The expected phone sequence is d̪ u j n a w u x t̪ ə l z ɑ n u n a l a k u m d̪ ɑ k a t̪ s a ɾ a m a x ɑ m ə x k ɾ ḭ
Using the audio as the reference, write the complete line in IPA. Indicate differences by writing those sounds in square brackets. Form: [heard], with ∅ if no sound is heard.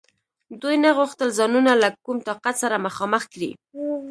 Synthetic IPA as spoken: d̪ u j n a [ɣ] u x t̪ ə l z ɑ n u n a l a k u m [t̪] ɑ [q] a t̪ s a ɾ a m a x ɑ m ə x k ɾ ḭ